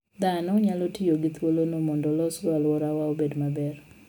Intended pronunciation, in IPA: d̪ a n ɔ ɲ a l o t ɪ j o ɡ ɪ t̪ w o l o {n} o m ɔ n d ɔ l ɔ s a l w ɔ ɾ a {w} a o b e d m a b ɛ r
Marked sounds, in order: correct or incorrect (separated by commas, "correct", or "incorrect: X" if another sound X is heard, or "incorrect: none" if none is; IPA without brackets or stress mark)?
correct, correct